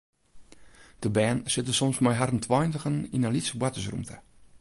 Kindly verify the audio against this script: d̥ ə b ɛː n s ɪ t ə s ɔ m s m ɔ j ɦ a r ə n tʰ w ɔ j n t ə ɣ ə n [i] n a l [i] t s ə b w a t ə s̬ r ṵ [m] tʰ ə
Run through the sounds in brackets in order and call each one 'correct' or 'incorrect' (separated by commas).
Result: correct, correct, correct